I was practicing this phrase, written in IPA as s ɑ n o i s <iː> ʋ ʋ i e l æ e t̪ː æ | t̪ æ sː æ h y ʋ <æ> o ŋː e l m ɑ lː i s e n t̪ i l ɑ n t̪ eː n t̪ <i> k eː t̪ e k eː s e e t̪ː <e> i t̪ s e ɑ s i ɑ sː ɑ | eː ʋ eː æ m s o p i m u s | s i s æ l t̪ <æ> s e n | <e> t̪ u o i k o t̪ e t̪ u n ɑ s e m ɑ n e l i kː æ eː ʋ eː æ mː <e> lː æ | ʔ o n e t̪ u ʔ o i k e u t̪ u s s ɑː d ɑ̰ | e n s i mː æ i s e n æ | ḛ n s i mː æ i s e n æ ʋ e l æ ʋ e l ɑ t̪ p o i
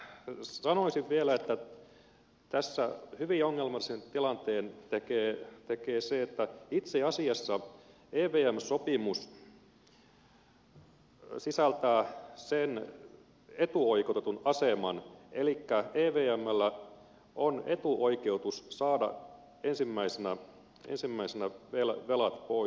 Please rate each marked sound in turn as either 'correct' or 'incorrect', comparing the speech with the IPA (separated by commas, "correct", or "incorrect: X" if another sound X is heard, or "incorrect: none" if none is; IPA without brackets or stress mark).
incorrect: i, incorrect: i, incorrect: e, incorrect: æ, incorrect: æː, correct, incorrect: æ